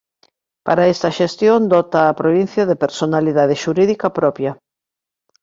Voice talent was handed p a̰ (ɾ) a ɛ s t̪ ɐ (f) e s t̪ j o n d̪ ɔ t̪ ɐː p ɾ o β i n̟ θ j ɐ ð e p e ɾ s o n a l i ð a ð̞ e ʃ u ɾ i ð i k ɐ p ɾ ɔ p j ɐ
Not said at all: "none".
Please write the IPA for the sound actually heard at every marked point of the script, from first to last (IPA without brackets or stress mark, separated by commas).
ɾ, ʃ